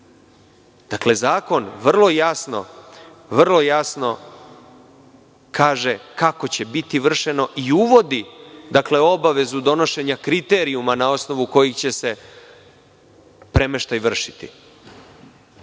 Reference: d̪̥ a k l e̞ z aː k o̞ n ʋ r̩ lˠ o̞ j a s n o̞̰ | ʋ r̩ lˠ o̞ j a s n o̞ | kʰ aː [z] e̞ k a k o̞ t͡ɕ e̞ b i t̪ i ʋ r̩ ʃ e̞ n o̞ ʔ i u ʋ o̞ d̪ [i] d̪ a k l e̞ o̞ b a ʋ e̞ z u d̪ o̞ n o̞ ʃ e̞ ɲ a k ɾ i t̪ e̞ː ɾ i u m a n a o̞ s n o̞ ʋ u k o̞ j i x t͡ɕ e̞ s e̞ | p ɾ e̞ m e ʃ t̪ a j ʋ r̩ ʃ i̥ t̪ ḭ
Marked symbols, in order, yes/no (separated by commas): no, yes